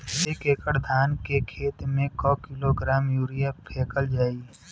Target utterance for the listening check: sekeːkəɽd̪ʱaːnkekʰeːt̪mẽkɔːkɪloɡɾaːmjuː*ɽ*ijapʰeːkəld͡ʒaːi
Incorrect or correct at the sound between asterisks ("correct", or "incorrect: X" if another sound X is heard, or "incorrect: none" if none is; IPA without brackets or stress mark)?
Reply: incorrect: ɾ